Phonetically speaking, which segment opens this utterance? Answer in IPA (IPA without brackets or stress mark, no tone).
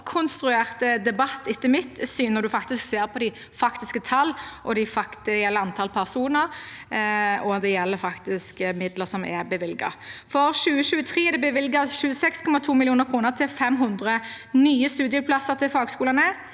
kʰ